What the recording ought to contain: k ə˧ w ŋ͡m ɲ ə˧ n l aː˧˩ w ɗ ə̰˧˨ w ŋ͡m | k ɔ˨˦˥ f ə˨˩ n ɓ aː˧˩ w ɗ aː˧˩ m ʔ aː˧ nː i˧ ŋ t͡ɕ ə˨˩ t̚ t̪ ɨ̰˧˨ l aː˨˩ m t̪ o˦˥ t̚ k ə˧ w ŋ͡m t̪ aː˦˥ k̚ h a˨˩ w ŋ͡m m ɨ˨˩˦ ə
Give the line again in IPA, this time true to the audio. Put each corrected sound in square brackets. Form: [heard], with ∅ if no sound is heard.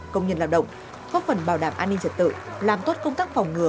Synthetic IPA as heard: k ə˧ w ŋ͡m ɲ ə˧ n l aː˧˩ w ɗ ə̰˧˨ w ŋ͡m | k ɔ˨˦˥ f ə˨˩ n ɓ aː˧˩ w ɗ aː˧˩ m ʔ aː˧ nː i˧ ŋ t͡ɕ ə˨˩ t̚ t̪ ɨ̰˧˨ l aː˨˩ m t̪ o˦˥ t̚ k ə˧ w ŋ͡m t̪ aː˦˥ k̚ [f] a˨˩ w ŋ͡m [ŋ] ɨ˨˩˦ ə